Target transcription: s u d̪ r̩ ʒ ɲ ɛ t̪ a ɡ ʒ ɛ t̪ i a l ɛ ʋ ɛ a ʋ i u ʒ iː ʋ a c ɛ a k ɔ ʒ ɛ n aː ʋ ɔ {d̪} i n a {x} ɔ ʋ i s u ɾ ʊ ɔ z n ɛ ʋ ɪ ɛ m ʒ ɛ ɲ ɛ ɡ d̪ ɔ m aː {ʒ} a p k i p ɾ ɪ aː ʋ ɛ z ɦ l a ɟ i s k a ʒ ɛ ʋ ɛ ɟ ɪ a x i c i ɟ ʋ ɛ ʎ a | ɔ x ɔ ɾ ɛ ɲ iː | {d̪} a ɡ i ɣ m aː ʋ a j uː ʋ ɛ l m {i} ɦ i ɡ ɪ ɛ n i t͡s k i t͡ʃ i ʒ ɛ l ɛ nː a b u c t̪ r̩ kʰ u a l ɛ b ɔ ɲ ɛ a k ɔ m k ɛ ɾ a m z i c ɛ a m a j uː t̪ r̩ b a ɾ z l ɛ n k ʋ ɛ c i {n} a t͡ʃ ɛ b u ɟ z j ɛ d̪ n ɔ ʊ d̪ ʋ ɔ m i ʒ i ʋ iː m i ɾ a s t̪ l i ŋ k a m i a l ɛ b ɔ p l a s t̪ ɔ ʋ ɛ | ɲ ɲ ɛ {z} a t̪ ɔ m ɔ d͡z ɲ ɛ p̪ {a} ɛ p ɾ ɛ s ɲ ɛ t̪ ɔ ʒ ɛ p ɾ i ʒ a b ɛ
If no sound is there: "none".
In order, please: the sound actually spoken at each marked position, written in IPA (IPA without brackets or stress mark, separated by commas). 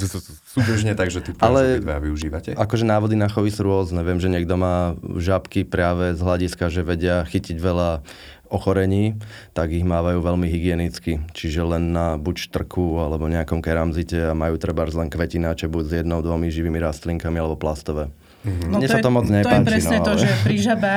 d̪, x, ʒ, t̪, i, n, s, a